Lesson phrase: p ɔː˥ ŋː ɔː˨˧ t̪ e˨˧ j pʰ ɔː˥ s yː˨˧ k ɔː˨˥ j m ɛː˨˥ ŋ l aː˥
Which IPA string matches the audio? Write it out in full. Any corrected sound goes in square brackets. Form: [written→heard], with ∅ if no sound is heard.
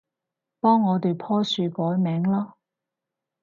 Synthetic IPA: p ɔː˥ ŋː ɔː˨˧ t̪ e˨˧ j pʰ ɔː˥ s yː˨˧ k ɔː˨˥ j m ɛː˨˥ ŋ l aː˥